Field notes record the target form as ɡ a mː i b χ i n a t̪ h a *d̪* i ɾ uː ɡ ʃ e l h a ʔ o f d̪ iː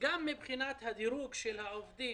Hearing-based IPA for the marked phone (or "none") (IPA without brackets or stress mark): d̪